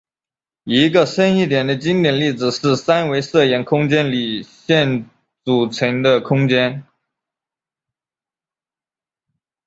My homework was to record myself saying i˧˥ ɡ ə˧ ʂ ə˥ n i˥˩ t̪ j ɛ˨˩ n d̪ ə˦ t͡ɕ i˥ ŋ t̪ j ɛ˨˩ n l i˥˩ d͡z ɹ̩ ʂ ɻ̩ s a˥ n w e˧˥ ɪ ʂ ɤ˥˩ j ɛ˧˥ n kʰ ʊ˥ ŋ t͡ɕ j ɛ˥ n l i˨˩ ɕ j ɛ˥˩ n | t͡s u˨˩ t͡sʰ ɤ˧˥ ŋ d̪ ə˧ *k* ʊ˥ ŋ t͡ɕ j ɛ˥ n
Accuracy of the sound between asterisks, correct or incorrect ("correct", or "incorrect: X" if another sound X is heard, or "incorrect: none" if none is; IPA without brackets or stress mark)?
incorrect: kʰ